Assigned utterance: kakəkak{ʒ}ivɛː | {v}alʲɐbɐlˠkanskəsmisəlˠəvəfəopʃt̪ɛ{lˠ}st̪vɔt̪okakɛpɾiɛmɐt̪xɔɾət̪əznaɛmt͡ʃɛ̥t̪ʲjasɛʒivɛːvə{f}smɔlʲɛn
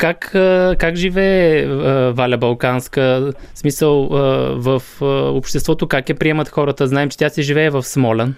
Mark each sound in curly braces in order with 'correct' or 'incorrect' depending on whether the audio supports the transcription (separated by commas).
correct, correct, incorrect, correct